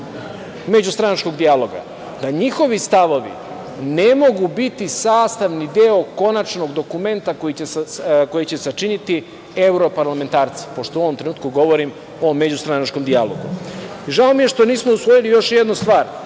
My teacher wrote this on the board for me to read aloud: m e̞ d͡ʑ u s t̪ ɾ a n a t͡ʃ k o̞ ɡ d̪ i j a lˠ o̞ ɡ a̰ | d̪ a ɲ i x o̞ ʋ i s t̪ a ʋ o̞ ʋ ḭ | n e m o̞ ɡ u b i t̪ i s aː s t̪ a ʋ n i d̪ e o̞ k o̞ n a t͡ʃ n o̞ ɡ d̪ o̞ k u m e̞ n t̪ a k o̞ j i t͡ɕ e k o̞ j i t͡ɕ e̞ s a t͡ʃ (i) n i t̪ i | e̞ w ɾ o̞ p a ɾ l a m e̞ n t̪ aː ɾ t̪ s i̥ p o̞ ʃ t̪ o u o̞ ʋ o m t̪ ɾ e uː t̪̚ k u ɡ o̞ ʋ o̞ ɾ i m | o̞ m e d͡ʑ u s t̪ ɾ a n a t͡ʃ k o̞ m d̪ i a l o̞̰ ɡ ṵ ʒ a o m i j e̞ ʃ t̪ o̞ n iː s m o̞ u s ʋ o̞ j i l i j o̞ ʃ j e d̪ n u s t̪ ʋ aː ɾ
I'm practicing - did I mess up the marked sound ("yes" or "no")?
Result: no